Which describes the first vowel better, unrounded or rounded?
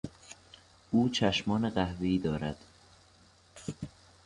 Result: rounded